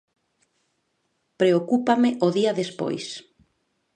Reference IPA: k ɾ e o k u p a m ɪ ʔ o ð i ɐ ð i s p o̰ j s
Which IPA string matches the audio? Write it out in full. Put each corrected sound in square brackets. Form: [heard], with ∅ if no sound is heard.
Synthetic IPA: [p] ɾ e o k u p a m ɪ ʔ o ð i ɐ ð [e] s p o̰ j s